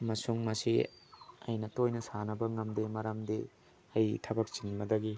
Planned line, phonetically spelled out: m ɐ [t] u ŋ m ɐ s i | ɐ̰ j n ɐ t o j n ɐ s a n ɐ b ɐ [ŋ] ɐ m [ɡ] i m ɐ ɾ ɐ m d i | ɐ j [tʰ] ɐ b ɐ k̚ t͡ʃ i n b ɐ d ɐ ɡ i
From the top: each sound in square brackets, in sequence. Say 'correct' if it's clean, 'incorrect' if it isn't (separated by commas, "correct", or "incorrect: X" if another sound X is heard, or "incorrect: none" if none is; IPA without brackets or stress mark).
incorrect: s, correct, incorrect: d, correct